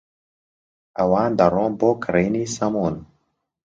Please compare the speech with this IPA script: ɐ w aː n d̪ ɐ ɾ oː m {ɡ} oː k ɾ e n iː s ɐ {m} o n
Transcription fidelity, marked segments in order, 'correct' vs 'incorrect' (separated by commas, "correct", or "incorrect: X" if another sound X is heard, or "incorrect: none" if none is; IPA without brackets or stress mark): incorrect: b, correct